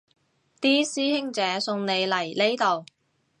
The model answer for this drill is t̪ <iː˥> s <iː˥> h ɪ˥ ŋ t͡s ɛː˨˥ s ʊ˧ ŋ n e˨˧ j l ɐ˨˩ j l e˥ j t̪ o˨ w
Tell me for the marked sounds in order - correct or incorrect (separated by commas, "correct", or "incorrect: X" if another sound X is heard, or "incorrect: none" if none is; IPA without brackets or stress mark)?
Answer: correct, correct